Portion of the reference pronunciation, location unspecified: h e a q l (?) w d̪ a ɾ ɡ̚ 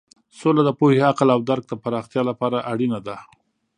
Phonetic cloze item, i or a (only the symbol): a